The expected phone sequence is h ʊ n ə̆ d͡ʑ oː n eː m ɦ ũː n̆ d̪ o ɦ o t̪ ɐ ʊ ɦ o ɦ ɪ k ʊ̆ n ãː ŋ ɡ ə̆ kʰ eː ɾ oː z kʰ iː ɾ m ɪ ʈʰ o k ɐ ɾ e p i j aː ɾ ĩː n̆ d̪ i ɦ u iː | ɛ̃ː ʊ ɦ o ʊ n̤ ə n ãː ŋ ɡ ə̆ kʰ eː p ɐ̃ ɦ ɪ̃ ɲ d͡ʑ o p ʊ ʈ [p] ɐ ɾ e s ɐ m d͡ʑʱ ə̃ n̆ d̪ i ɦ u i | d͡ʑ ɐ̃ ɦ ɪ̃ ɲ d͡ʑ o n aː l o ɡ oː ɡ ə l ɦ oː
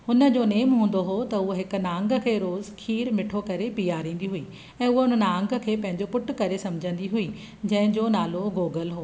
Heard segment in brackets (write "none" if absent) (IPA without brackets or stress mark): k